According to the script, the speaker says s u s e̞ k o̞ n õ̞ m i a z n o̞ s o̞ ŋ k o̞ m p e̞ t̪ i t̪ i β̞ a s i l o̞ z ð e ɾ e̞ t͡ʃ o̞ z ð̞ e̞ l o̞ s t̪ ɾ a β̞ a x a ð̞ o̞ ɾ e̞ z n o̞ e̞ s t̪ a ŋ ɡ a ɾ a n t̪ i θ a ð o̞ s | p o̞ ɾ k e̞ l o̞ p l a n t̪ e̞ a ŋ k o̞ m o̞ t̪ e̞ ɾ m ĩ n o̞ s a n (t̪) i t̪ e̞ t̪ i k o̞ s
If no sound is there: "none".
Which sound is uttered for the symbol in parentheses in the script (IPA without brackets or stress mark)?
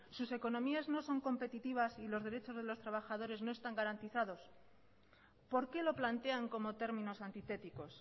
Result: t̪